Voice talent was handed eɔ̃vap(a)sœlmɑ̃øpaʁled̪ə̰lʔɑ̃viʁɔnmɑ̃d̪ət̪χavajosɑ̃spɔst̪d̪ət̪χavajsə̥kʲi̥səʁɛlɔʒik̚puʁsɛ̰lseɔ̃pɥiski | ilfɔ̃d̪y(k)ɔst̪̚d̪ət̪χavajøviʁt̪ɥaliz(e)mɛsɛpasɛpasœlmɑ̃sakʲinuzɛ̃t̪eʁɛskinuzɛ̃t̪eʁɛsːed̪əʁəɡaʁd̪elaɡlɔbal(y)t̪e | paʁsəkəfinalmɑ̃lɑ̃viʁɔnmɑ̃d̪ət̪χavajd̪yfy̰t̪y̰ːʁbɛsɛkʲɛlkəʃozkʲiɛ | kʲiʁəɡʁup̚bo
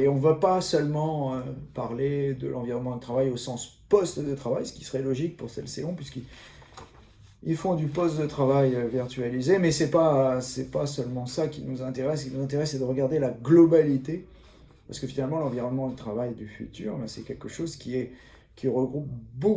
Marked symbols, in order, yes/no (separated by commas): yes, no, yes, no